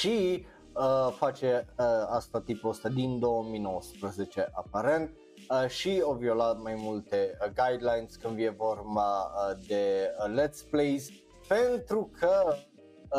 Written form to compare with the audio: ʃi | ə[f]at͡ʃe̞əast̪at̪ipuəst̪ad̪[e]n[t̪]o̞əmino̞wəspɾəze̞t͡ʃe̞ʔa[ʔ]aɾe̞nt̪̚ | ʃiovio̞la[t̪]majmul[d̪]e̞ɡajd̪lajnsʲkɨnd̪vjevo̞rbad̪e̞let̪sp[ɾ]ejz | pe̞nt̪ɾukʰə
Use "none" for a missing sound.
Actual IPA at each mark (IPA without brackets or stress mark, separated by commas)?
f, i, d̪, p, t̪, t̪, l